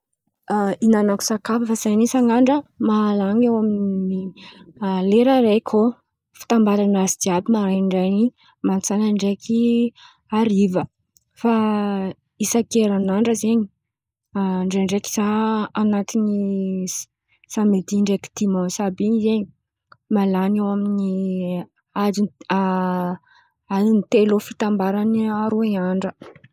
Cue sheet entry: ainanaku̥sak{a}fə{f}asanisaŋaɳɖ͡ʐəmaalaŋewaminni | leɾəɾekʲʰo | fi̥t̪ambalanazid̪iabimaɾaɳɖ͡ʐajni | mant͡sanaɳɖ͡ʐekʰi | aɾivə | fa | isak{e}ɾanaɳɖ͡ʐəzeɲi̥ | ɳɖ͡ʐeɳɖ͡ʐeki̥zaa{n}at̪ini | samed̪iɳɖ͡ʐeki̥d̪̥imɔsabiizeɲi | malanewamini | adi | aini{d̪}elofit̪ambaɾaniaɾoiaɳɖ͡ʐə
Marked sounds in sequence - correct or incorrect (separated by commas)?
correct, correct, correct, correct, incorrect